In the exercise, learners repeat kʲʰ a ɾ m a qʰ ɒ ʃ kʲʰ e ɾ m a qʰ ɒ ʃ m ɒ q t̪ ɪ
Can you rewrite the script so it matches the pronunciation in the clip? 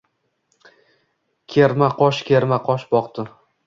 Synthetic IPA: kʲʰ e ɾ m a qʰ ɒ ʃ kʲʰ e ɾ m a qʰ ɒ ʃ b ɒ q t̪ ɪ